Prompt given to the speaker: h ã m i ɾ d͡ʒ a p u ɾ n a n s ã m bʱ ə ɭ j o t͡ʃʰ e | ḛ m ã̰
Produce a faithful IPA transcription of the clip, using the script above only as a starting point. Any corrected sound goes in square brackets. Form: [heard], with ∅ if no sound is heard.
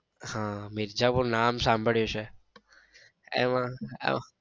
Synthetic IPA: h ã m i ɾ d͡ʒ a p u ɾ n a [m] s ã m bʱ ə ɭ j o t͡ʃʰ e | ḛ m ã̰